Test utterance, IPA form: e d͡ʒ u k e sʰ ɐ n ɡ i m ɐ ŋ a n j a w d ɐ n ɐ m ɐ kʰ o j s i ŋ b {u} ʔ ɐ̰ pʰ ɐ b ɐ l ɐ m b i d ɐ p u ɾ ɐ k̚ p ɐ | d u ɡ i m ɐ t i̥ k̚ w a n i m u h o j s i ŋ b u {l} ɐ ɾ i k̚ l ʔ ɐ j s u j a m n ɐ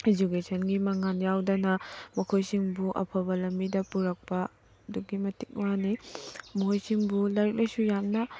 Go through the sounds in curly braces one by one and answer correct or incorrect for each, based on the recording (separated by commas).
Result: correct, correct